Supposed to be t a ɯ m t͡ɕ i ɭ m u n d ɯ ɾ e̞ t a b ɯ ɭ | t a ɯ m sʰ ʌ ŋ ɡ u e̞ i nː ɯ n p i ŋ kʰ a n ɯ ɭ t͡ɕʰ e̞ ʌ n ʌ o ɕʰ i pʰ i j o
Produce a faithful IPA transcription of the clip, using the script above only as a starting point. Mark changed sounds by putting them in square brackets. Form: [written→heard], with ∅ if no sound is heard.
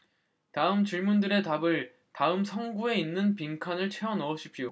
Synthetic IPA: t a ɯ m t͡ɕ i ɭ m u n d ɯ ɾ e̞ t a b ɯ ɭ | t a ɯ m sʰ ʌ ŋ ɡ u e̞ i nː ɯ n p i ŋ kʰ a n ɯ ɭ t͡ɕʰ e̞ ʌ n ʌ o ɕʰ i pʰ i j o